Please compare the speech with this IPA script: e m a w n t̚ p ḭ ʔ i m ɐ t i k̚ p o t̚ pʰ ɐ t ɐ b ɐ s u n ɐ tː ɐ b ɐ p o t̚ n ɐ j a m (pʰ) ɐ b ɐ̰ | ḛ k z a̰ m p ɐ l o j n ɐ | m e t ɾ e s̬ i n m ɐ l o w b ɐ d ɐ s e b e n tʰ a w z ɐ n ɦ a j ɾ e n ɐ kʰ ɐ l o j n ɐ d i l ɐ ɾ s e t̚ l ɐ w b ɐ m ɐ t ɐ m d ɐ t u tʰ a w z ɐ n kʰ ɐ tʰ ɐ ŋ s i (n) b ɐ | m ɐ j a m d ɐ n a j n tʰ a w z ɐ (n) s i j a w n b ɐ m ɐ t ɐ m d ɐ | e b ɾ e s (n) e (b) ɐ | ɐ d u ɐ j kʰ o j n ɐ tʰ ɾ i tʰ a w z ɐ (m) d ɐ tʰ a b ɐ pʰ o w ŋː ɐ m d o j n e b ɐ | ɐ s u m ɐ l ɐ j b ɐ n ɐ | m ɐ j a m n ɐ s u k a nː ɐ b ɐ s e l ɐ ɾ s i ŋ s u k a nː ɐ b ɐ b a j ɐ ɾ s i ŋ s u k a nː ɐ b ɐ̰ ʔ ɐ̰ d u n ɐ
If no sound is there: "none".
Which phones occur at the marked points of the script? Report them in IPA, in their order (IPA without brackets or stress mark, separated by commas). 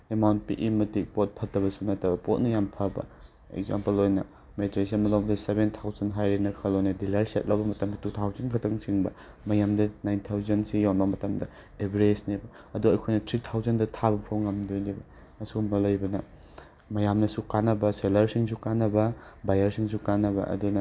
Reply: pʰ, ŋ, n, n, b, n